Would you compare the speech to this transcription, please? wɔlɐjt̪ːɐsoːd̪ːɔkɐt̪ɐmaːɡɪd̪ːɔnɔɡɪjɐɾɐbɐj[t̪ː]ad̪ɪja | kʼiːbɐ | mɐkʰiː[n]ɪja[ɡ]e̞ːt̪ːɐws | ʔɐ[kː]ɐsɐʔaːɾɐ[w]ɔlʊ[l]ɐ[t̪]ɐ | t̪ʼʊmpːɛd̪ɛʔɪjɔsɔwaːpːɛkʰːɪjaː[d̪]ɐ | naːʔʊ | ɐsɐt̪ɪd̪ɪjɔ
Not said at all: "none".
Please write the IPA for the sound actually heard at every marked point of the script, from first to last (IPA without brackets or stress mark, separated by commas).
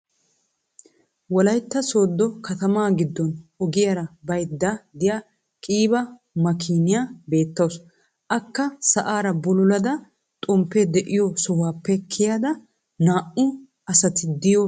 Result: d̪ː, n, b, kː, b, l, d̪, d̪